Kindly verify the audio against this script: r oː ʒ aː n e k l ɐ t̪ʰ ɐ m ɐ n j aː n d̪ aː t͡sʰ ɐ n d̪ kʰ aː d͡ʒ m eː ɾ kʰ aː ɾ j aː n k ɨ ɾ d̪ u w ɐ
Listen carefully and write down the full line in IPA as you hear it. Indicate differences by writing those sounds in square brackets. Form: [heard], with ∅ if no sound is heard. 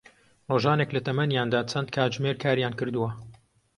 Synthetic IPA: r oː ʒ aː n e k l ɐ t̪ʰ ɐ m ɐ n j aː n d̪ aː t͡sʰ ɐ n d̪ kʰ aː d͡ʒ m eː ɾ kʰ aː ɾ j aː n k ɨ ɾ d̪ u w ɐ